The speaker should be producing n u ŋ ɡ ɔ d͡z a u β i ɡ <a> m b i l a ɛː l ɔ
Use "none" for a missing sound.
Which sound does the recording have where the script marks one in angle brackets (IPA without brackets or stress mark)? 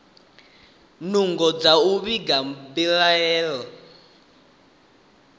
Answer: a